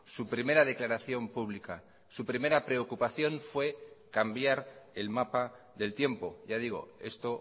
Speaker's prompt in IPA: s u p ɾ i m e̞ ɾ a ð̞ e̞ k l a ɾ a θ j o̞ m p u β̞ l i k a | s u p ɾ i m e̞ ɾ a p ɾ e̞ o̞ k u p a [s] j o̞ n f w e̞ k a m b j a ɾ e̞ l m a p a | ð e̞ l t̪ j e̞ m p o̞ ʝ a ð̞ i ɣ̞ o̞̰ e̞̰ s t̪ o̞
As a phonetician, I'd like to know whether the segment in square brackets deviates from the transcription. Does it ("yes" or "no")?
yes